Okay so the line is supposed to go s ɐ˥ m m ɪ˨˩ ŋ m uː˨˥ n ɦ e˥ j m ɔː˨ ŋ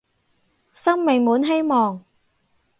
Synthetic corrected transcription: s ɐ˥ ŋ m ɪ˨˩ ŋ m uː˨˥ n ɦ e˥ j m ɔː˨ ŋ